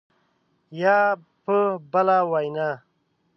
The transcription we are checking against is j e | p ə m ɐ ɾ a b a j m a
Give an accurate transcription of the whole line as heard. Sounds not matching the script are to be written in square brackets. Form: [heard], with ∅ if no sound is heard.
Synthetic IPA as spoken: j [a] | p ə [b] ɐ [l] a [w] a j [n] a

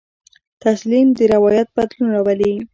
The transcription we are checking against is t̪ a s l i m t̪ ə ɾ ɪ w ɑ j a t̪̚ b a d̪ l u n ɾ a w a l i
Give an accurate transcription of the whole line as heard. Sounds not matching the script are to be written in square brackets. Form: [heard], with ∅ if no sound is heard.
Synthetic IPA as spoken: t̪ a s l i m [d̪] ə ɾ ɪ w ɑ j a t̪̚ b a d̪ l u n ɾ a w a l i

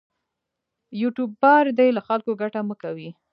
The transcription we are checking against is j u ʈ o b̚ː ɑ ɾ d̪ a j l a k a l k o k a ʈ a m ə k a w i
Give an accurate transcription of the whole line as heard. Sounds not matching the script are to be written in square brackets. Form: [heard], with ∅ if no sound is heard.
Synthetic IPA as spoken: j u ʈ [u] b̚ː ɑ ɾ d̪ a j l a [x] a l k o [ɡ] a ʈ a m ə k a w i

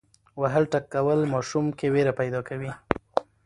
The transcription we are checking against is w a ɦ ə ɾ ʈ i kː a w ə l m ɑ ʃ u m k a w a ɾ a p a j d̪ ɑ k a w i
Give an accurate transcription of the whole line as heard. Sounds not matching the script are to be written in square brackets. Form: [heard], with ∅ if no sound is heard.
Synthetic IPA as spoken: w a ɦ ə [l] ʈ [a] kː a w ə l m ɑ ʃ u m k [e] w [e] ɾ a p a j d̪ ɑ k a w i

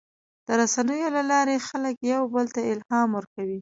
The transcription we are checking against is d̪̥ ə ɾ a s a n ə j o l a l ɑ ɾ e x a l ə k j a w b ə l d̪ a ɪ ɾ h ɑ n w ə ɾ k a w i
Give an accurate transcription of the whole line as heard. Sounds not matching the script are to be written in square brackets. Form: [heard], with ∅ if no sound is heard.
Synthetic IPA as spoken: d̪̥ ə ɾ a s a n ə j o l a l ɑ ɾ e x a l ə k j a w b ə l [t̪] a ɪ [l] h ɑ [m] w ə ɾ k a w i

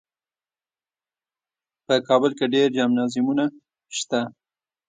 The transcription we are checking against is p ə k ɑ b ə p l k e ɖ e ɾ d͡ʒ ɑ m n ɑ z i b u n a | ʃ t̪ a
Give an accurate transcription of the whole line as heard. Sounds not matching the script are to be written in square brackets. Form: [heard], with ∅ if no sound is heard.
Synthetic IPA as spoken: p ə k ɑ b ə [∅] l k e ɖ e ɾ d͡ʒ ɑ m n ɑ z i [m] u n a | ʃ t̪ a

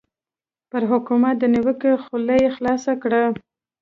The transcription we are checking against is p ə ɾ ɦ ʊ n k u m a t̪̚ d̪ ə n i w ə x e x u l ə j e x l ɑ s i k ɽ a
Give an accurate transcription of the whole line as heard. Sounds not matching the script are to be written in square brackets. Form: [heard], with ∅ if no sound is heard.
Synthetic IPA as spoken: p ə ɾ ɦ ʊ [∅] k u m a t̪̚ d̪ ə n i w ə [k] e x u l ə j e x l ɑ s [a] k ɽ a

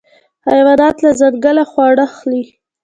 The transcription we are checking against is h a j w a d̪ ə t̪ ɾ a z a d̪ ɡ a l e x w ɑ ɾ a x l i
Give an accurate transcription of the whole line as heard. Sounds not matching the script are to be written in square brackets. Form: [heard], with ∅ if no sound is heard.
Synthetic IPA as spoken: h a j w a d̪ [ɑ] t̪ [l] a z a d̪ ɡ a l [a] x w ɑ [ɽ] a x l i

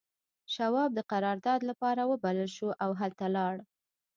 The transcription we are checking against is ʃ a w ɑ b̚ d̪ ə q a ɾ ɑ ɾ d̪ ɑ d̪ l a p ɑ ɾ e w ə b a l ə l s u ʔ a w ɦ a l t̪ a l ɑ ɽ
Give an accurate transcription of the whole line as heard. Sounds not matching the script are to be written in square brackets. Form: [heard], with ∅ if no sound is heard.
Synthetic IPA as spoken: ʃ a w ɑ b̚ d̪ ə q a ɾ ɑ ɾ d̪ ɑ d̪ l a p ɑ ɾ [a] w ə b a l ə l [ʃ] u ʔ a w ɦ a l t̪ a l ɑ ɽ

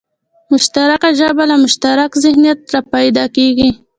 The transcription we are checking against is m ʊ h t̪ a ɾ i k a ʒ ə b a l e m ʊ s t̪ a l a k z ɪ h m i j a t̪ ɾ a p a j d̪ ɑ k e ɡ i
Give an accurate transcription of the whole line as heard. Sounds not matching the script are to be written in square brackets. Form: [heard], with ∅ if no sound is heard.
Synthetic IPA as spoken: m ʊ [ʃ] t̪ a ɾ [a] k a ʒ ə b a l [a] m ʊ [ʃ] t̪ a [ɾ] a k z ɪ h [n] i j a t̪ ɾ a p a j d̪ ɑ k e ɡ i

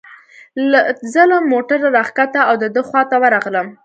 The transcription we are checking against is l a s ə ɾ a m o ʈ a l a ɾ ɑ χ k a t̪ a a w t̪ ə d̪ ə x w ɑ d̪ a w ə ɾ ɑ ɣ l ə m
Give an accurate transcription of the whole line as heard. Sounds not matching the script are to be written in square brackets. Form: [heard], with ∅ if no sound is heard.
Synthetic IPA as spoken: l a [z] ə [l] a m o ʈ a [ɾ] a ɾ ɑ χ k a t̪ a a w [d̪] ə d̪ ə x w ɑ [t̪] a w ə ɾ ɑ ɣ l ə m

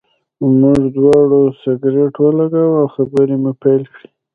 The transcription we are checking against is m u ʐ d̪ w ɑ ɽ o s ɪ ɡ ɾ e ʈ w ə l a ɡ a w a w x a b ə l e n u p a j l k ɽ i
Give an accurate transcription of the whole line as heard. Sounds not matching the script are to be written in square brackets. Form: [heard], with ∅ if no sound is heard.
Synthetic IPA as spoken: m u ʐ d̪ w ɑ ɽ o s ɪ ɡ ɾ e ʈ w ə l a ɡ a w a w x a b ə [ɾ] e [m] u p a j l k ɽ i

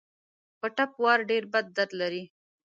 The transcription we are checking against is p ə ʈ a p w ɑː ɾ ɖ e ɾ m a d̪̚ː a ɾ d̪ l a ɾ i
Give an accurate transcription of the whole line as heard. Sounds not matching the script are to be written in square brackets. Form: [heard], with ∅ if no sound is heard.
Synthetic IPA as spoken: p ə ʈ a p w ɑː ɾ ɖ e ɾ [b] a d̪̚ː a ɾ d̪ l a ɾ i

